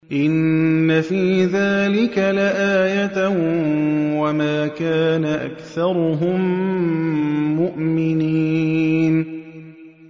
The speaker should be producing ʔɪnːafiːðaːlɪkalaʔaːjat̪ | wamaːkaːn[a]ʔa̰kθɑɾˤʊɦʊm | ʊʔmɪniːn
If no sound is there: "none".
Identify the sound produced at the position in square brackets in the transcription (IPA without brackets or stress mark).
a